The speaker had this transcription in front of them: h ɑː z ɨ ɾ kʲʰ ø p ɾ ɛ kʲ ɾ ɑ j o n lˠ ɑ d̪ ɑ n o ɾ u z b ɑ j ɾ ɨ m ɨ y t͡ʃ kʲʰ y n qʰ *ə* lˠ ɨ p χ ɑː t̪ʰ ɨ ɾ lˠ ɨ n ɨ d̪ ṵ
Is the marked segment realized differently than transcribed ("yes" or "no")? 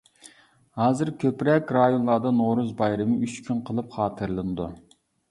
no